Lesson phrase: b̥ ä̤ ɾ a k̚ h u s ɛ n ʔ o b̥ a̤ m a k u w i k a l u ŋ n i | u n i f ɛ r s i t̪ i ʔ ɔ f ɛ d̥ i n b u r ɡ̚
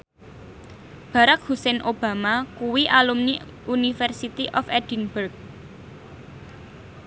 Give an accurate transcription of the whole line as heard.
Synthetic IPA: b̥ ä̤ ɾ a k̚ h u s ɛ n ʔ o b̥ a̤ m a k u w i ʔ a l u m n i | u n i f ɛ r s i t̪ i ʔ ɔ f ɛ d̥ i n b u r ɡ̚